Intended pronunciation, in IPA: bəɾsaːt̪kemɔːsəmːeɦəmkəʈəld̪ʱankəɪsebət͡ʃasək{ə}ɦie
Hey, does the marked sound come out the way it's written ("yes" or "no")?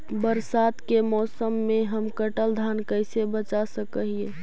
yes